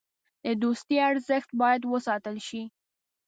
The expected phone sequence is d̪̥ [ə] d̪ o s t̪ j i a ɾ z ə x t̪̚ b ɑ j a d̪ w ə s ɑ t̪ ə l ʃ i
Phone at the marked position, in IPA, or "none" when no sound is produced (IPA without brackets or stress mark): ə